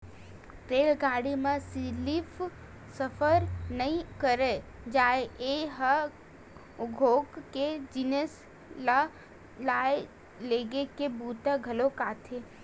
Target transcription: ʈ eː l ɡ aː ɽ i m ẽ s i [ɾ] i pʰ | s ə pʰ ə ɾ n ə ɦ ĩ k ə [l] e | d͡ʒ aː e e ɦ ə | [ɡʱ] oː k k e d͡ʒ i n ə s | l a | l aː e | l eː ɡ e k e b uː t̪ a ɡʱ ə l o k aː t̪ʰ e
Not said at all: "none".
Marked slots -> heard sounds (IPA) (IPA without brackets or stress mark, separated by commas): l, ɾ, ɡʱ